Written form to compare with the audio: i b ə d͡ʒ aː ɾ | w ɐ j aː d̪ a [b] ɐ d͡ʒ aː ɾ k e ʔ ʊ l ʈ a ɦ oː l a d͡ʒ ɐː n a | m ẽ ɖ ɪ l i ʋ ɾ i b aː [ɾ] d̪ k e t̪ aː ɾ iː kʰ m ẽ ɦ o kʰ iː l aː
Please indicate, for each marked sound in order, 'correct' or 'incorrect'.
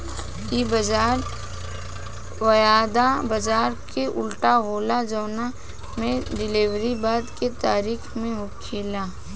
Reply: correct, incorrect: none

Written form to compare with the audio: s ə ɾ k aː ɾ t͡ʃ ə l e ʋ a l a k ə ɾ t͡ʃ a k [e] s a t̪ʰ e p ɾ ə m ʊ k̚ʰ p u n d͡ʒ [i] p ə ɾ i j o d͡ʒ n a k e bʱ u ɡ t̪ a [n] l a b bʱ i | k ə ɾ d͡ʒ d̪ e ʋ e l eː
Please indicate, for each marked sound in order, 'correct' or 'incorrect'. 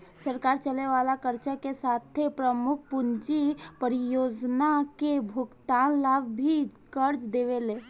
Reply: correct, correct, correct

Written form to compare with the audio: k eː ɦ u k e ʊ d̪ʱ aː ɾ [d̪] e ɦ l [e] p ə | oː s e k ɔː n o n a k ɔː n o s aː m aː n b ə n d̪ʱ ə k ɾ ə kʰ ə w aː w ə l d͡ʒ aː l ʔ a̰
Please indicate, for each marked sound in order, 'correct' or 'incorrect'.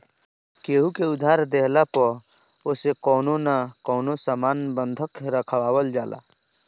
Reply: correct, incorrect: a

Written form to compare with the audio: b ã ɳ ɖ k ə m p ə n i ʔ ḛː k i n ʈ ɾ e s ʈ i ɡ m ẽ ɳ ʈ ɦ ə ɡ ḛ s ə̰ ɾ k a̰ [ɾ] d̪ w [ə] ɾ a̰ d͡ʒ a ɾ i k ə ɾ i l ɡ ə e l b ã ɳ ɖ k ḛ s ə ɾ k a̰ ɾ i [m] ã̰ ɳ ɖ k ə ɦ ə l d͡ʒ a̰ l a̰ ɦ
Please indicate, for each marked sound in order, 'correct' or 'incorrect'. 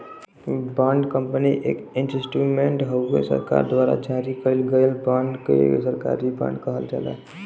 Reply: correct, incorrect: a, incorrect: b

